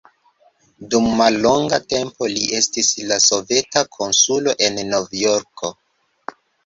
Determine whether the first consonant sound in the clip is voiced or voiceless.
voiced